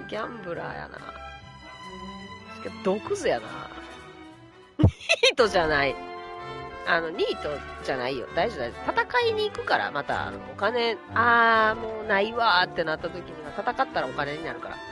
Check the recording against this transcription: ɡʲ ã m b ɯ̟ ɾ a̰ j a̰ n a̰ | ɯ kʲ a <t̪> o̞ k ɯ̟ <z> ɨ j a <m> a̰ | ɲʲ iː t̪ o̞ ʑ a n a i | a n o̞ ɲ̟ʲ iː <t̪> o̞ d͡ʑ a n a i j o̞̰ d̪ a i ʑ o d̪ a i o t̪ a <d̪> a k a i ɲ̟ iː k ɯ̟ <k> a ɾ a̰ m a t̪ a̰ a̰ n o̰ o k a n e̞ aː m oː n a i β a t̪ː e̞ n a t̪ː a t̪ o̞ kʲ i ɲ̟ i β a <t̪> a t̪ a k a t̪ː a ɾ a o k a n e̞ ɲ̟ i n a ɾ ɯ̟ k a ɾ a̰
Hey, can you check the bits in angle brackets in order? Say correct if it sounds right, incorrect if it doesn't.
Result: incorrect, correct, incorrect, correct, incorrect, correct, correct

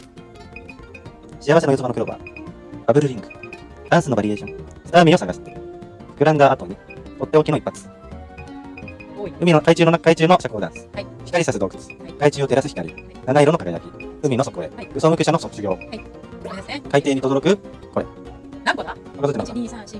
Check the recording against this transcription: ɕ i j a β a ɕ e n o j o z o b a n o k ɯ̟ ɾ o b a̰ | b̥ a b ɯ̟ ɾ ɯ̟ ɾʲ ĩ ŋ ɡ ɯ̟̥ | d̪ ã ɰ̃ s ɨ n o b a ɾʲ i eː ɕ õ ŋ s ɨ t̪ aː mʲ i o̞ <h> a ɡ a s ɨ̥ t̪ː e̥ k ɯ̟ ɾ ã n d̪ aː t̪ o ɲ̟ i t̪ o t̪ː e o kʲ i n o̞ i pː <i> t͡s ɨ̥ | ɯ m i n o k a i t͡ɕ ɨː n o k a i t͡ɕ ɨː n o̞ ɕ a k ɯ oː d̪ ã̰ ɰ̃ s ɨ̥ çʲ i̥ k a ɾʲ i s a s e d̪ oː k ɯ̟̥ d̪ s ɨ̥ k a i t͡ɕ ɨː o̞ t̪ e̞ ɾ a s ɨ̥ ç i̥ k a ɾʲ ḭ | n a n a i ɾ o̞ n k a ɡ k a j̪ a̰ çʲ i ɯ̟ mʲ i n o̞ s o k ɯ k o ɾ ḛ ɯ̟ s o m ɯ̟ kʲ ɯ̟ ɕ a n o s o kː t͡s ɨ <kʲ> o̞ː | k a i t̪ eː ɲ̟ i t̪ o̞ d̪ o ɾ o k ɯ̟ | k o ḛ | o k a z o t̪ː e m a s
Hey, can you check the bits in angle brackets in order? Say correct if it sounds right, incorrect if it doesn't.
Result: incorrect, incorrect, incorrect

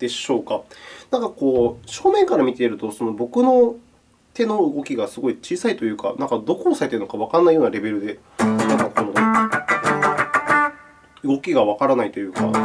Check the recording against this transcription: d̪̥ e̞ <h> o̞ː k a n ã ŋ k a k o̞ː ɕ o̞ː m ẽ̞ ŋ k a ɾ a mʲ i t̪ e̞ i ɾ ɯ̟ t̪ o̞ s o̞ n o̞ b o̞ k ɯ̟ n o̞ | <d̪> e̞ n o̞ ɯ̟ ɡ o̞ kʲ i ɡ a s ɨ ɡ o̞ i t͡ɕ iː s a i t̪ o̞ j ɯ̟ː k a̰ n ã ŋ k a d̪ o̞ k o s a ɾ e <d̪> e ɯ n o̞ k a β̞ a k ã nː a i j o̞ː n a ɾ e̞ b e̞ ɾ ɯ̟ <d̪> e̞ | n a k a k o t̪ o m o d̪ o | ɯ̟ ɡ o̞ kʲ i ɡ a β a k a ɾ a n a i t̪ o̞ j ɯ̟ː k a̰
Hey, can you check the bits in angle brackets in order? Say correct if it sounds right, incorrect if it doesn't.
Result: incorrect, incorrect, incorrect, correct

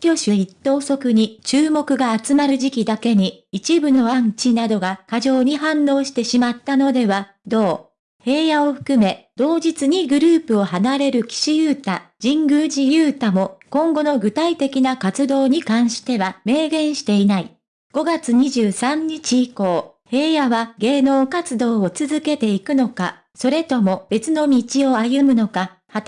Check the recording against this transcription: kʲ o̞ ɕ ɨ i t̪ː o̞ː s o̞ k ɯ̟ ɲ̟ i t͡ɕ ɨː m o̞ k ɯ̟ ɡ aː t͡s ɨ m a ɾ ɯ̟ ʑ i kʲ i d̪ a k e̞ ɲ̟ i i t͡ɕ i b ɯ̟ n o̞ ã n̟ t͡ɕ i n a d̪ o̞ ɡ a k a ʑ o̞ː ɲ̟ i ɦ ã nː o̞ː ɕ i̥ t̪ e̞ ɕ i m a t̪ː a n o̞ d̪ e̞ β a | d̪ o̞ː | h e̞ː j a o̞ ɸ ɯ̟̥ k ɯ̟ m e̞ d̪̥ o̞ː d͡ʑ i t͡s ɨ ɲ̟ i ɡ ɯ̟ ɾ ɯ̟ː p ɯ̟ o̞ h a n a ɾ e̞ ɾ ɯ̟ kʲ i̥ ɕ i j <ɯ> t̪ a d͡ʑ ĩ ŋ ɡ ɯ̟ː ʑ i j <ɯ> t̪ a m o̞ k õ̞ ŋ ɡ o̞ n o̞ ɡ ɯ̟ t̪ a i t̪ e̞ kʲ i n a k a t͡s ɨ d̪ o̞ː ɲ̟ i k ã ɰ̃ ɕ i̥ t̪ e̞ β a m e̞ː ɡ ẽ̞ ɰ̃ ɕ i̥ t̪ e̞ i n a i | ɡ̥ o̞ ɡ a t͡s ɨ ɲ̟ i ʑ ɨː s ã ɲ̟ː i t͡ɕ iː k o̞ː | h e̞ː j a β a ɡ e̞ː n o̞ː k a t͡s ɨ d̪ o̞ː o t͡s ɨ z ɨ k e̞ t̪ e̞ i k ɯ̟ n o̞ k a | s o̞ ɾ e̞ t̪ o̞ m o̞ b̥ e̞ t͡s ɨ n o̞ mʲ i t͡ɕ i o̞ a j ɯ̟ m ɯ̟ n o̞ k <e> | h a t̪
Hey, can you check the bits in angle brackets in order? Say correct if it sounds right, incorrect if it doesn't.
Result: incorrect, incorrect, incorrect

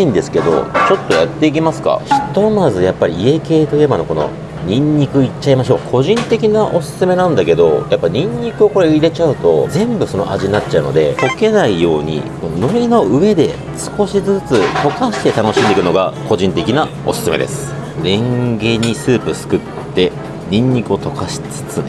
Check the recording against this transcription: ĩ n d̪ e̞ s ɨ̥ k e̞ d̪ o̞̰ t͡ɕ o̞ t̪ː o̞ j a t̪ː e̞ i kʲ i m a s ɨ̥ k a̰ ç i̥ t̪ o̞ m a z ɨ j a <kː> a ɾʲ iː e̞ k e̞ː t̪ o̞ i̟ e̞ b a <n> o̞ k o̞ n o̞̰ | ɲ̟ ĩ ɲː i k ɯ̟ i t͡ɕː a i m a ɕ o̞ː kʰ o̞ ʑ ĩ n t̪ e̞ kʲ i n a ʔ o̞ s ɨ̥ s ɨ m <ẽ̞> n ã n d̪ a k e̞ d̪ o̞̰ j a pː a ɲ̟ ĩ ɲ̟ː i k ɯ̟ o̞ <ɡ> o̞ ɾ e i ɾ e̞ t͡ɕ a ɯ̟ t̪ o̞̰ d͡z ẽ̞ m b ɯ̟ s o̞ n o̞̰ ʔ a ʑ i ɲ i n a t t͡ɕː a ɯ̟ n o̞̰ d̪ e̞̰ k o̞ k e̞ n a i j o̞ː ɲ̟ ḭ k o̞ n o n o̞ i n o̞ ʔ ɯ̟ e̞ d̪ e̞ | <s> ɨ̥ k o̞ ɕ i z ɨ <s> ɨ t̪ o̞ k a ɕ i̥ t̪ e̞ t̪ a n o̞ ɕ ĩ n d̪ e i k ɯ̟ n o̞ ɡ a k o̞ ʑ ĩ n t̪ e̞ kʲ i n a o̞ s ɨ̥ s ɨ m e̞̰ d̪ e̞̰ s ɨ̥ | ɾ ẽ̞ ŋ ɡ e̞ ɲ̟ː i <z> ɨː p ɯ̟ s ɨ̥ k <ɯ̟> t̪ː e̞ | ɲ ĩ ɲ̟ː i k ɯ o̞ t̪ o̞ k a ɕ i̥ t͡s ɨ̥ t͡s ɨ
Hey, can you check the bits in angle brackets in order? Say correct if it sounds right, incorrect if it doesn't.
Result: incorrect, correct, incorrect, incorrect, correct, incorrect, incorrect, correct

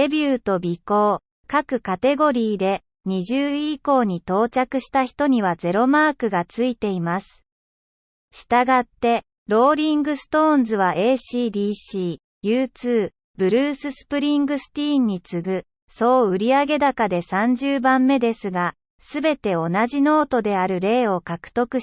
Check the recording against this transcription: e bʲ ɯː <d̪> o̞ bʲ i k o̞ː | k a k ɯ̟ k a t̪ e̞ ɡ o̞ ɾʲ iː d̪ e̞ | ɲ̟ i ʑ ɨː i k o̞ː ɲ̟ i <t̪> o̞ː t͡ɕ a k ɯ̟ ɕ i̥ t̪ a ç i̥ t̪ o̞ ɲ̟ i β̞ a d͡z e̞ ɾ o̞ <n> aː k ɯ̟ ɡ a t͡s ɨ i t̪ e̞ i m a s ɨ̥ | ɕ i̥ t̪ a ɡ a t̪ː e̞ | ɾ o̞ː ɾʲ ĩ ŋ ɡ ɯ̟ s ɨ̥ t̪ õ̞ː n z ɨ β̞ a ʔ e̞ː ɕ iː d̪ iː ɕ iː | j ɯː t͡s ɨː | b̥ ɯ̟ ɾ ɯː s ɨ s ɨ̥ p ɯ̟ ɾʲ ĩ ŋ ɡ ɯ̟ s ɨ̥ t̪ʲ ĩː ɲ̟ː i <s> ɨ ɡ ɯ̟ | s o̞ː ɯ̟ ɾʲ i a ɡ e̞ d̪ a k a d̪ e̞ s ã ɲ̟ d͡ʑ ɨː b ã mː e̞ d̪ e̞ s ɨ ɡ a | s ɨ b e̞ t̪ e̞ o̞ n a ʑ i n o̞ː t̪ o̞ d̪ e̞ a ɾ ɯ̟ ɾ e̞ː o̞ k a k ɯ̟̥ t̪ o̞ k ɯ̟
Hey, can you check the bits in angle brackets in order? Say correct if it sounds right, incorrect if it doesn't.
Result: incorrect, correct, incorrect, incorrect

